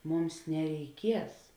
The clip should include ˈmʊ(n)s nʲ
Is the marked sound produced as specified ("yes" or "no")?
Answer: no